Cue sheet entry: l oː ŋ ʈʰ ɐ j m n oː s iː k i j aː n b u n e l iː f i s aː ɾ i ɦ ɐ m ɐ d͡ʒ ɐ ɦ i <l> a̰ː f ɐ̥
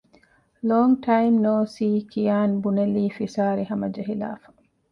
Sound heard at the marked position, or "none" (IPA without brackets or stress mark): l